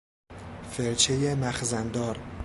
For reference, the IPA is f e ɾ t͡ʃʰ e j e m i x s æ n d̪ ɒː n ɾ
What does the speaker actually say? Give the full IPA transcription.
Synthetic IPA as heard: f e ɾ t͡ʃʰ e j e m æ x z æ n d̪ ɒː ɾ